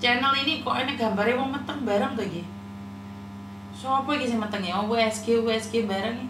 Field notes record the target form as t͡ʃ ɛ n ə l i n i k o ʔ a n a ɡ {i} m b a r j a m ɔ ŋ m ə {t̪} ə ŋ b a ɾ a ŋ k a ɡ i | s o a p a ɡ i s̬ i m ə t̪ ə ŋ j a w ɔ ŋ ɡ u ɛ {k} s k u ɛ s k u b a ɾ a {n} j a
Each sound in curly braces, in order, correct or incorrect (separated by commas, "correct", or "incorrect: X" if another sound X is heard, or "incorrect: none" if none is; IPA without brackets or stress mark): incorrect: a, correct, incorrect: none, incorrect: ŋ